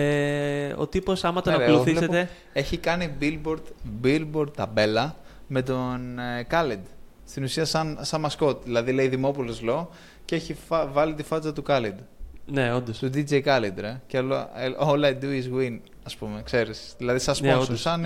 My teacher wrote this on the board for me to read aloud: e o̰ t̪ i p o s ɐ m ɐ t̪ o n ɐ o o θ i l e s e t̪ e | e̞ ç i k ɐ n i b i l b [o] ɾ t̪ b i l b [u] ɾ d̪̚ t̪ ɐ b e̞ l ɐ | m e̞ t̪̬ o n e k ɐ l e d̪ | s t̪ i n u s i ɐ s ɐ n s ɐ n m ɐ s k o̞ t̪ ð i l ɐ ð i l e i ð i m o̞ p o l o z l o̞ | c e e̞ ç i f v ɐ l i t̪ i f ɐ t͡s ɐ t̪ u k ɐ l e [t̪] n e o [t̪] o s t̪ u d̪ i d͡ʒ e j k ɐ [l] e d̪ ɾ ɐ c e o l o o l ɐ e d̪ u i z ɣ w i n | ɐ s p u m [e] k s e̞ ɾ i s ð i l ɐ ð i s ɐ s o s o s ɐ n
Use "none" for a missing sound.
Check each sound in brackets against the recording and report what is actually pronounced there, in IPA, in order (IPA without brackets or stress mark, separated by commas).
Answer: o, o, d̪, d̪, l, e